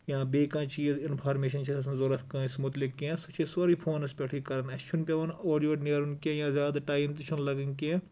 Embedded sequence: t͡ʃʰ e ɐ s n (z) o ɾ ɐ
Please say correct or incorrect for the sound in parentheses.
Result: correct